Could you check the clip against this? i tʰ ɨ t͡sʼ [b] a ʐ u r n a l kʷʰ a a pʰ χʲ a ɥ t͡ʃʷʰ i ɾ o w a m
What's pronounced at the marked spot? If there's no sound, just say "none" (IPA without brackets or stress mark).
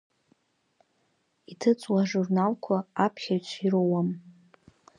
w